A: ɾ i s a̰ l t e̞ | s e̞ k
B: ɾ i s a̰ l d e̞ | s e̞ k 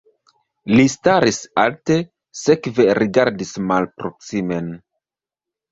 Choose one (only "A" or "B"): A